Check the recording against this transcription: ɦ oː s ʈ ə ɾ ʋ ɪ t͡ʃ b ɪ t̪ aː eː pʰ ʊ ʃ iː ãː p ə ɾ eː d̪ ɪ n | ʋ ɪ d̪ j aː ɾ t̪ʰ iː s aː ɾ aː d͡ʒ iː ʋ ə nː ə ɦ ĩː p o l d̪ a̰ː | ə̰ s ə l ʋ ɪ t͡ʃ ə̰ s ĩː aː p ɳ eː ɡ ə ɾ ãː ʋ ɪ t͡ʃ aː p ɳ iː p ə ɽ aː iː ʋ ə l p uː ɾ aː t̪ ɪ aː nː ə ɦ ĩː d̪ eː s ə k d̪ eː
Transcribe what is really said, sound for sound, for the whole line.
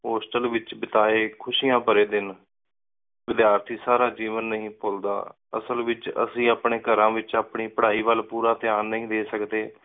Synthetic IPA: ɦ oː s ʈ ə l ʋ ɪ t͡ʃ b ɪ t̪ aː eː kʰ ʊ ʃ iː ãː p ə ɾ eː d̪ ɪ n | ʋ ɪ d̪ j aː ɾ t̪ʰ iː s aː ɾ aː d͡ʒ iː ʋ ə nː ə ɦ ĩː p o l d̪ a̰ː | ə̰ s ə l ʋ ɪ t͡ʃ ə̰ s ĩː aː p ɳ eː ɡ ə ɾ ãː ʋ ɪ t͡ʃ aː p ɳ iː p ə ɽ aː iː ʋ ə l p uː ɾ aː t̪ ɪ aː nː ə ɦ ĩː d̪ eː s ə k d̪ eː